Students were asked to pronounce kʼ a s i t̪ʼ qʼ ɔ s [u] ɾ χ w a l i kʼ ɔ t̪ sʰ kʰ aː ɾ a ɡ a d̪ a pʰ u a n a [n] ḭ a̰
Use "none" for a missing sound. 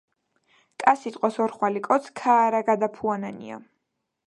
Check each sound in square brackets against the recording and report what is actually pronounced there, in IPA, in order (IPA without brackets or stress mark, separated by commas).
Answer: ɔ, n